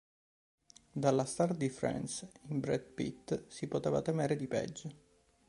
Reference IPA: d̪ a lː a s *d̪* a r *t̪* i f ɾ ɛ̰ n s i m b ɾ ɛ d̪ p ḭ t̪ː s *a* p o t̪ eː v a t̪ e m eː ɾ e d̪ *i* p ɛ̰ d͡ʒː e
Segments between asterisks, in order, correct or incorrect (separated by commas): incorrect, incorrect, incorrect, correct